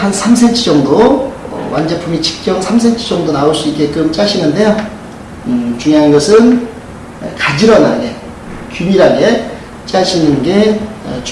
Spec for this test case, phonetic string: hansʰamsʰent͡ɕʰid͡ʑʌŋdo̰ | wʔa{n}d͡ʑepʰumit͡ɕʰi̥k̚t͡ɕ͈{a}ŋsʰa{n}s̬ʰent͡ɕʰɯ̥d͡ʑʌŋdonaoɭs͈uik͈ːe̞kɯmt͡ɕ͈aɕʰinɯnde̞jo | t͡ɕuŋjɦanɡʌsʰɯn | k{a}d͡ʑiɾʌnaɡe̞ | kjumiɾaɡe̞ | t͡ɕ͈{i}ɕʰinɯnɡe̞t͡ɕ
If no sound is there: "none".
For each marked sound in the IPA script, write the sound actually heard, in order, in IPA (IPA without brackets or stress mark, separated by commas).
n, ʌ, m, a, a